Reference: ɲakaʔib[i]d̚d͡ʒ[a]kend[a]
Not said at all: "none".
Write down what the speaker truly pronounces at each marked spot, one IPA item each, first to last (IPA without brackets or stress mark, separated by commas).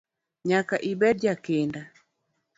ɛ, a, a